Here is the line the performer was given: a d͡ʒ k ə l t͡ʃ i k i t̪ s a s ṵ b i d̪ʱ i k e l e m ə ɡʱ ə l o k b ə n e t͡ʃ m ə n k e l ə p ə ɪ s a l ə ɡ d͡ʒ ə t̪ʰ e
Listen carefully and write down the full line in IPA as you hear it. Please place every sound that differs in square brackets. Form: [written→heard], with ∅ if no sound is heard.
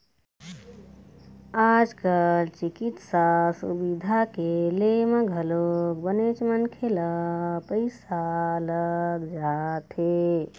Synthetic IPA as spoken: a d͡ʒ k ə l t͡ʃ i k i t̪ s a s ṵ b i d̪ʱ [i→a] k e l e m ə ɡʱ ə l o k b ə n e t͡ʃ m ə n [k→kʰ] e l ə p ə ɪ s a l ə ɡ d͡ʒ [ə→a] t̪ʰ e